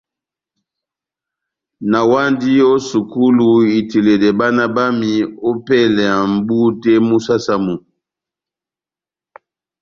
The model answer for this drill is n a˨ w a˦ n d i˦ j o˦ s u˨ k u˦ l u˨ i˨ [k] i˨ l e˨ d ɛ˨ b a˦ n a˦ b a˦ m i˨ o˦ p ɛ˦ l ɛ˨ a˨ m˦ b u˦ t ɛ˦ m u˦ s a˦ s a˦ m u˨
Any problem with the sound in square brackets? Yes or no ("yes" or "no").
yes